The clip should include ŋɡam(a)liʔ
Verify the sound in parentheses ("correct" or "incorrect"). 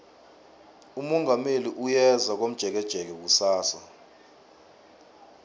incorrect